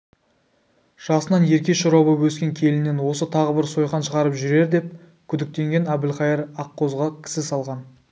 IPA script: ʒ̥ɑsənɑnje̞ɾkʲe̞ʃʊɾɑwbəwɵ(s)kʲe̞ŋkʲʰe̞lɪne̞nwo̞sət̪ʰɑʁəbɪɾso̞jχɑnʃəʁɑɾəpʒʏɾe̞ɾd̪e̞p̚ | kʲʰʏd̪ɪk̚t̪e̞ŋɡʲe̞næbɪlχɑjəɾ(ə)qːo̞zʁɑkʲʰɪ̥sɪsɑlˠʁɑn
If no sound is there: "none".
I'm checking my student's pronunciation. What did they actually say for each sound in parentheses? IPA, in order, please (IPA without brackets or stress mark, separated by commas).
s, ɑ